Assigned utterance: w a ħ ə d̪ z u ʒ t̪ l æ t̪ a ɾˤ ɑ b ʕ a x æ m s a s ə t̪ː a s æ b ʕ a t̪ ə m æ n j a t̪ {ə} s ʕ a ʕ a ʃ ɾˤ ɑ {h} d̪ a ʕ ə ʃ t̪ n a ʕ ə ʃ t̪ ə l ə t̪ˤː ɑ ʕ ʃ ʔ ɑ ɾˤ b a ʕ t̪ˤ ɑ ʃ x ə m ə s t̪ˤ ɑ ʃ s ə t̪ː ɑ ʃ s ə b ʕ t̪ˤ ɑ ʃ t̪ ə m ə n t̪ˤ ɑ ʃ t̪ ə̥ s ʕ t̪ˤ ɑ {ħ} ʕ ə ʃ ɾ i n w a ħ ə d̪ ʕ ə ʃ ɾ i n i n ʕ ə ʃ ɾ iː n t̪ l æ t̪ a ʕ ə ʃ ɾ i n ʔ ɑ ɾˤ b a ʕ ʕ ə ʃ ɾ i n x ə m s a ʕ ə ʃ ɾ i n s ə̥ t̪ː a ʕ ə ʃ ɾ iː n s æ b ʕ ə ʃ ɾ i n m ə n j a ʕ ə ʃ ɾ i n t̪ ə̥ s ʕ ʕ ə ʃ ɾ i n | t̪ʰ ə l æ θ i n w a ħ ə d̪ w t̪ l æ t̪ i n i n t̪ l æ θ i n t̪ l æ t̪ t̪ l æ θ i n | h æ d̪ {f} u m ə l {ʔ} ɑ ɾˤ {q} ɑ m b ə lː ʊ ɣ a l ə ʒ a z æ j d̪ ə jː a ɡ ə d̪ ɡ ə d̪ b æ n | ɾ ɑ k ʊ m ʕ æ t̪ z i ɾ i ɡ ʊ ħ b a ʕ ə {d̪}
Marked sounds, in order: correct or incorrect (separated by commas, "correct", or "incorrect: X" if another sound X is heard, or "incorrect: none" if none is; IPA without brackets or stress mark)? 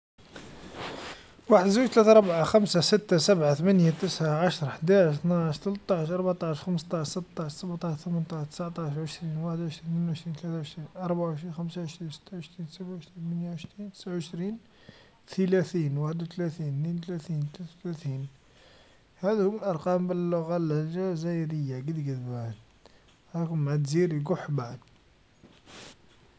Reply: correct, incorrect: ħ, incorrect: ʃ, incorrect: h, correct, correct, correct